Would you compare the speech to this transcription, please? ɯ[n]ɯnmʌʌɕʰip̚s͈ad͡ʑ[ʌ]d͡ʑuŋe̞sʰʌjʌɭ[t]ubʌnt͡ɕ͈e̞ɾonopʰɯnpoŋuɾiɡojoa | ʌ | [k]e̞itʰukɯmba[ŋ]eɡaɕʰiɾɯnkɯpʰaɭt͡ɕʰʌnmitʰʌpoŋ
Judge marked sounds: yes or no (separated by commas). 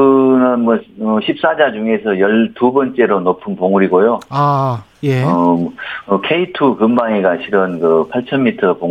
yes, no, yes, no, yes